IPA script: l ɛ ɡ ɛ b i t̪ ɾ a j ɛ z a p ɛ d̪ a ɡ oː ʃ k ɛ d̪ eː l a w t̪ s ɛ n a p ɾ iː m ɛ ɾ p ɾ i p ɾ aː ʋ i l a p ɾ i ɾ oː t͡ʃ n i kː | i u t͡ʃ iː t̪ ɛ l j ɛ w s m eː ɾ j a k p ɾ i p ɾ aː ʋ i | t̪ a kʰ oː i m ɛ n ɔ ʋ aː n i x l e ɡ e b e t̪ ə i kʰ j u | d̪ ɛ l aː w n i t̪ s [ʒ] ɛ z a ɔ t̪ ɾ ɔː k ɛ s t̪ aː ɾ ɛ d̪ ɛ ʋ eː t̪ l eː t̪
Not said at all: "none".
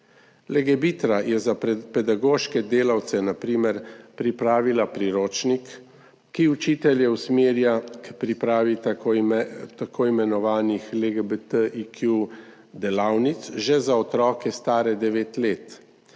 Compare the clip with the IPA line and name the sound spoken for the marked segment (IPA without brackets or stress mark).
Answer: ʒ